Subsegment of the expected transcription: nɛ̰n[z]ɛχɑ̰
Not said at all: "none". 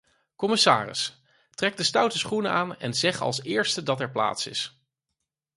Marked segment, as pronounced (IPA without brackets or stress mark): z